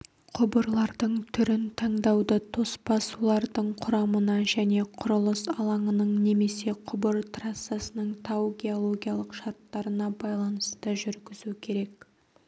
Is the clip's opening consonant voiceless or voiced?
voiceless